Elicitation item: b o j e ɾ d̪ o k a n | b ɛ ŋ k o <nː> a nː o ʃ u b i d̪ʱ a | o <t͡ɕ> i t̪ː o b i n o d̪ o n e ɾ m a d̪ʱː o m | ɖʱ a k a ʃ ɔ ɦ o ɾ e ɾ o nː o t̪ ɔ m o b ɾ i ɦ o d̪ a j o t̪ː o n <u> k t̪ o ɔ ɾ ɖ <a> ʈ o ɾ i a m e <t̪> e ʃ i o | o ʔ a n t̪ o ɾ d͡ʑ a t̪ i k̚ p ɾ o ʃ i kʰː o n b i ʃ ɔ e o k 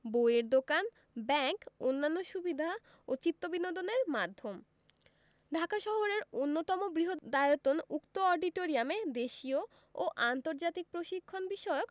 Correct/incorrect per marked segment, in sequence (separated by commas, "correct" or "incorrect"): correct, correct, correct, incorrect, incorrect